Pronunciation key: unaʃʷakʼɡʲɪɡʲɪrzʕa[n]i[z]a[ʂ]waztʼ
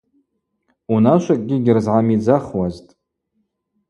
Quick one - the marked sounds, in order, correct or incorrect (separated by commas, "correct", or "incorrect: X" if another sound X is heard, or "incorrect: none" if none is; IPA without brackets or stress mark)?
incorrect: m, incorrect: d͡z, incorrect: χ